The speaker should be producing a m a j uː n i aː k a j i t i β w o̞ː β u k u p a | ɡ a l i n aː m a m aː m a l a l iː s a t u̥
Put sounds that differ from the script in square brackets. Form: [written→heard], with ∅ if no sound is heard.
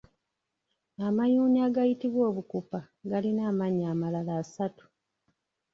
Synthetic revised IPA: a m a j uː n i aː [k→ɡ] a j i t i β w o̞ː β u k u p a | ɡ a l i n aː m a [m→ɲ] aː m a l a l [iː→aː] s a t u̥